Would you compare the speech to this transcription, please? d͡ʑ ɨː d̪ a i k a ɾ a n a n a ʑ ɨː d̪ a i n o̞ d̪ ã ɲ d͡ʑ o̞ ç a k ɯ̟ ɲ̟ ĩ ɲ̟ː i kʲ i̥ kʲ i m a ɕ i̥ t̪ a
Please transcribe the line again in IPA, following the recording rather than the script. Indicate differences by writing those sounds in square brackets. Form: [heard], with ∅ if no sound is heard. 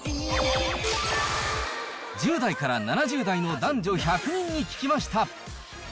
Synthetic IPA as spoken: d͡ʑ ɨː d̪ a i k a ɾ a n a n a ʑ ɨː d̪ a i n o̞ d̪ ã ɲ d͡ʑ o̞ ç a k ɯ̟ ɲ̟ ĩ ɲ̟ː i kʲ i̥ kʲ i m a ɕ i̥ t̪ a